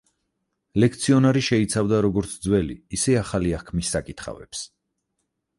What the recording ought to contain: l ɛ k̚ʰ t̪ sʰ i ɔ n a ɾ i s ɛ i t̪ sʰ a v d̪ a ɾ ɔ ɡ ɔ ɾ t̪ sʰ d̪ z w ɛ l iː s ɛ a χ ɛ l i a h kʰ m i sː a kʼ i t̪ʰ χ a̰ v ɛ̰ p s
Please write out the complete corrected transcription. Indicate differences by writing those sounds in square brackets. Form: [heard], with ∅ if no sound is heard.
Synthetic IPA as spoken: l ɛ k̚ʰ t̪ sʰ i ɔ n a ɾ i [ʃ] ɛ i t̪ sʰ a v d̪ a ɾ ɔ ɡ ɔ ɾ t̪ sʰ d̪ z w ɛ l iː s ɛ a χ [a] l i a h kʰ m i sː a kʼ i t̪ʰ χ a̰ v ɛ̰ p s